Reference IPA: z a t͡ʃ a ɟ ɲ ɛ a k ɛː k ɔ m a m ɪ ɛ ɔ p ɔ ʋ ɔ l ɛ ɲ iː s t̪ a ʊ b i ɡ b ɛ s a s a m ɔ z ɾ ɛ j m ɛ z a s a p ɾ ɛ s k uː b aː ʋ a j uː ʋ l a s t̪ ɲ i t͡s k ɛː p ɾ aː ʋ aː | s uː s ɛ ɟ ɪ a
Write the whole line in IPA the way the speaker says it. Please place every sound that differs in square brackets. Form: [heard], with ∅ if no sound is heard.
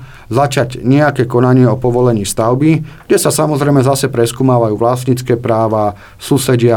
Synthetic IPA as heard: z a t͡ʃ a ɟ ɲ ɛ a k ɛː k ɔ [n] a [ɲ] ɪ ɛ ɔ p ɔ ʋ ɔ l ɛ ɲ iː s t̪ a ʊ b i ɡ [ɟ] ɛ s a s a m ɔ z ɾ ɛ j m ɛ z a s [ɛ] p ɾ ɛ s k uː [m] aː ʋ a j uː ʋ l a s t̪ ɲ i t͡s k ɛː p ɾ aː ʋ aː | s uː s ɛ ɟ ɪ a